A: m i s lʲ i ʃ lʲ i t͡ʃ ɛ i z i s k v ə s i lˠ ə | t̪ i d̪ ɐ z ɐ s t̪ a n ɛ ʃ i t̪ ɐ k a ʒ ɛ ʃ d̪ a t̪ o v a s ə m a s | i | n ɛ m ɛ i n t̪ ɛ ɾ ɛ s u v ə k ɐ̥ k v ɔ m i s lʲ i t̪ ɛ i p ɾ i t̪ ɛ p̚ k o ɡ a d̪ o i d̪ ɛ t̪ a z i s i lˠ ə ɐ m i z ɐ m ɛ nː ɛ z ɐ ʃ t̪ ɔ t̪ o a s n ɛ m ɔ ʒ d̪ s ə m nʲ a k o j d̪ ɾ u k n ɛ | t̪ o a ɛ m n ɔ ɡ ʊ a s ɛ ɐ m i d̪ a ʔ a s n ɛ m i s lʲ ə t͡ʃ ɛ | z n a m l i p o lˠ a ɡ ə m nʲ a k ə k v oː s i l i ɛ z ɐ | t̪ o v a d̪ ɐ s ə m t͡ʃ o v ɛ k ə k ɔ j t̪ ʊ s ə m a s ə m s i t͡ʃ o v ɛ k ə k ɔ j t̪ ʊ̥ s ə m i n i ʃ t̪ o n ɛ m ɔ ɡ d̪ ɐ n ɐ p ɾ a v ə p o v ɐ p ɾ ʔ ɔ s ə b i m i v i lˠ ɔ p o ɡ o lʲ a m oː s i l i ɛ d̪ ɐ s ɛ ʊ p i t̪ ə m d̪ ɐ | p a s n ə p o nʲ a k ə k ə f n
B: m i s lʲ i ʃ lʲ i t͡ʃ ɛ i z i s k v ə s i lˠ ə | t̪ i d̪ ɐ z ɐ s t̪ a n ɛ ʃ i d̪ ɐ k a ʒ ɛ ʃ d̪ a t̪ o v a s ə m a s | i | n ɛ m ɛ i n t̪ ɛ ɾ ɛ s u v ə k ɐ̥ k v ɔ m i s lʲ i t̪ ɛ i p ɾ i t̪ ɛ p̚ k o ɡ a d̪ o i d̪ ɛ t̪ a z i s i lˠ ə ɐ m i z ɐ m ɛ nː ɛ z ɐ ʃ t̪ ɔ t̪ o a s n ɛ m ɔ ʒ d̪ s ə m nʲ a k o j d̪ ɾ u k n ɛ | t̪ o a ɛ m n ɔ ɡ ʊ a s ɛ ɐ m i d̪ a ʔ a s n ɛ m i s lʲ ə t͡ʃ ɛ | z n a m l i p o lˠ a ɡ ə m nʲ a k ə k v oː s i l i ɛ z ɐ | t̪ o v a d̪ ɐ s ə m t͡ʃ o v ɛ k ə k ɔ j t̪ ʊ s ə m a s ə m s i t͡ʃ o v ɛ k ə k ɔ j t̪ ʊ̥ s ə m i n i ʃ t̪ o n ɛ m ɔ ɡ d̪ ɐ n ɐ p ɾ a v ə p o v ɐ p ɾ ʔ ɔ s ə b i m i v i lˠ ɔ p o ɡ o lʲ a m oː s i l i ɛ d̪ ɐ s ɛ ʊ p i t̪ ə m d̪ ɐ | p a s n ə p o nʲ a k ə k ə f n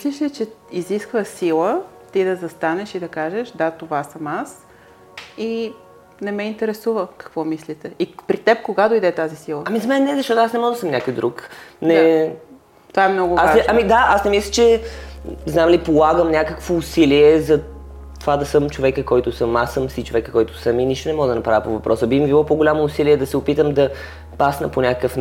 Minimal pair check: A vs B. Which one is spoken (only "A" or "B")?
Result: B